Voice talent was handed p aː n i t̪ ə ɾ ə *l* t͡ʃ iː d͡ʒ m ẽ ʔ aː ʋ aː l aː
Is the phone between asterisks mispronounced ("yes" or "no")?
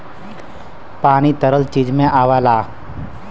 no